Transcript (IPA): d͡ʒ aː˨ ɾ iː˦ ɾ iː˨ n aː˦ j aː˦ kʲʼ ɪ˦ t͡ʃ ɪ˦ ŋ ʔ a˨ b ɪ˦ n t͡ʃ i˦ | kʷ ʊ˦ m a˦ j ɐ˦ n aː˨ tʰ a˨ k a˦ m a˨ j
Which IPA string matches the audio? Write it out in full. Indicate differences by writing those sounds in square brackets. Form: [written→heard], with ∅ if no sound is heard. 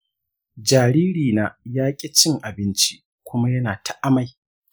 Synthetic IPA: d͡ʒ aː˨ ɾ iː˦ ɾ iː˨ n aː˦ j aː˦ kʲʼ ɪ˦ t͡ʃ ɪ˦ ŋ ʔ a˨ b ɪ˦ n t͡ʃ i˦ | kʷ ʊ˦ m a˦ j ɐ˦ n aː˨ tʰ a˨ [k→ʔ] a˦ m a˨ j